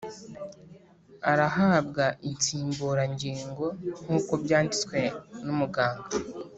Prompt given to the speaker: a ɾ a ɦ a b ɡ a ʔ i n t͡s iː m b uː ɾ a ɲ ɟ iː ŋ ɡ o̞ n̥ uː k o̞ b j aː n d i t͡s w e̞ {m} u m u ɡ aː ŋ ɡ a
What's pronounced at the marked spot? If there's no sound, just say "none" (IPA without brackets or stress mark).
n